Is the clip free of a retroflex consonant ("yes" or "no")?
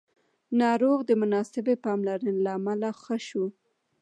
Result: yes